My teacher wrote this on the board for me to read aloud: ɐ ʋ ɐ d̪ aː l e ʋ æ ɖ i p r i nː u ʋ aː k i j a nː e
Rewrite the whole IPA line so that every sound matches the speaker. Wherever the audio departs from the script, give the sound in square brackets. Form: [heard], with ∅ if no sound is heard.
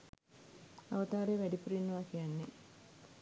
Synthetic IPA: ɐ ʋ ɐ [t̪] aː [ɾ] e ʋ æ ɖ i p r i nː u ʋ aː k i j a nː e